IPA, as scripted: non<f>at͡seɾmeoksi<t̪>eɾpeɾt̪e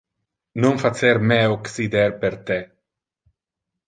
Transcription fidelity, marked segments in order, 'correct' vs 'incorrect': correct, incorrect: d̪

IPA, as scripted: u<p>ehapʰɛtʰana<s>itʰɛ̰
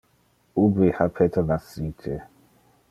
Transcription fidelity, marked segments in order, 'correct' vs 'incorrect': incorrect: b, correct

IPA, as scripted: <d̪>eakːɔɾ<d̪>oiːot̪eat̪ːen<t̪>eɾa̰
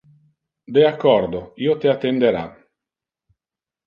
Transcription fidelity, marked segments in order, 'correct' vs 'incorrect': correct, correct, incorrect: d̪

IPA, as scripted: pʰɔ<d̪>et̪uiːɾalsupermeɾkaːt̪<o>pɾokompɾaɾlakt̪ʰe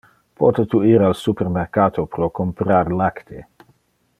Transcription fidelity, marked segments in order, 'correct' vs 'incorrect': incorrect: t̪, correct

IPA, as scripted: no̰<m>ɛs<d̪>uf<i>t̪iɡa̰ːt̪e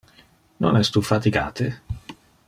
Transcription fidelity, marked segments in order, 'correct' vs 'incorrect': incorrect: n, incorrect: t̪, incorrect: a

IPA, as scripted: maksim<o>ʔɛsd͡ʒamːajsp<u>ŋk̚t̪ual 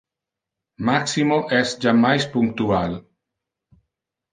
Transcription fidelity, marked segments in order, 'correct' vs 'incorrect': correct, correct

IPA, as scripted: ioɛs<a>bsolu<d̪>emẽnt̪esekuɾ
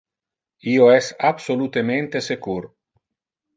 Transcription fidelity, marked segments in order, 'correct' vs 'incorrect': correct, incorrect: t̪

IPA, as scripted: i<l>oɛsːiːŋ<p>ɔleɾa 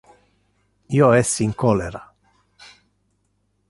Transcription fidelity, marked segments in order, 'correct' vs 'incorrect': incorrect: none, incorrect: k

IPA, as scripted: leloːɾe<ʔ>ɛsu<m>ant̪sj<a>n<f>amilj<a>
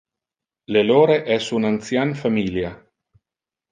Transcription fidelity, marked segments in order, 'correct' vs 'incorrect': correct, incorrect: n, correct, correct, correct

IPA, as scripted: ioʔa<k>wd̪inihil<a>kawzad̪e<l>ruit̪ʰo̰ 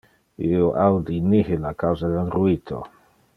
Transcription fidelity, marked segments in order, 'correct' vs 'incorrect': incorrect: none, correct, correct

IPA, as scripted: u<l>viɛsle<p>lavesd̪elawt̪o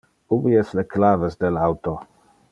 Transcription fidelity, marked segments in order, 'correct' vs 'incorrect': incorrect: none, incorrect: k

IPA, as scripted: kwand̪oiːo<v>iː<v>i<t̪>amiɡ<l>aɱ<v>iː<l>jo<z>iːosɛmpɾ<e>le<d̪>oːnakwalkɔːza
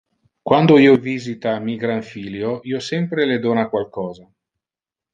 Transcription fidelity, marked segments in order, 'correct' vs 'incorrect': correct, incorrect: z, correct, incorrect: ɾ, incorrect: f, correct, incorrect: none, correct, correct

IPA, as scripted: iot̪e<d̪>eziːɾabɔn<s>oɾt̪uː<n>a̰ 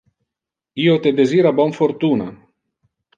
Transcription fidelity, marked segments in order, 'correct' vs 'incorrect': correct, incorrect: f, correct

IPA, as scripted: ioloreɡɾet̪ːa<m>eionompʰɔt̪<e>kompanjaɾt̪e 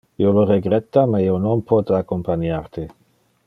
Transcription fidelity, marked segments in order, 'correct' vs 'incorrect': correct, incorrect: a

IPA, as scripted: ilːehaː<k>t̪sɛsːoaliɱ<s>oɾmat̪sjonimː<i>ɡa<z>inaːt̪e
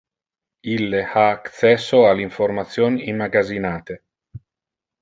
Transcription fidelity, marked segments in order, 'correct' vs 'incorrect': correct, incorrect: f, incorrect: a, correct

